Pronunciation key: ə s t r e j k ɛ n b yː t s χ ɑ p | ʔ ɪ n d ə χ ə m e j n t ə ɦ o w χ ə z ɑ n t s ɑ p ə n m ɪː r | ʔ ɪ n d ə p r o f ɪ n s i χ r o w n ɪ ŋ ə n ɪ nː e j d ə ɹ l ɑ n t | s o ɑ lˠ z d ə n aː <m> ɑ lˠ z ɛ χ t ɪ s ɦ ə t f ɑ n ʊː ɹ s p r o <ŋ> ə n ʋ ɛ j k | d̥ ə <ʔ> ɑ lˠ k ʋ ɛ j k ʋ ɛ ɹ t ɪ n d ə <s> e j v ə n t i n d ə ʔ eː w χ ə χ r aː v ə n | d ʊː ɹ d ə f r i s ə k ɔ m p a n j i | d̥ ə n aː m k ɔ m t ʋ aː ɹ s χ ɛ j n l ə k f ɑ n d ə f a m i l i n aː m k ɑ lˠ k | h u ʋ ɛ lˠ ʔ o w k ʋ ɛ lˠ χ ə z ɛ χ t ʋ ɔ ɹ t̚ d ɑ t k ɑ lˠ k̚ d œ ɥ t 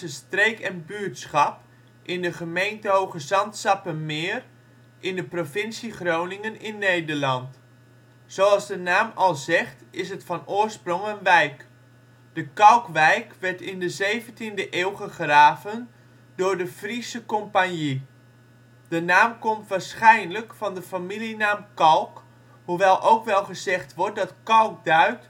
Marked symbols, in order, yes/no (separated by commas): yes, yes, no, no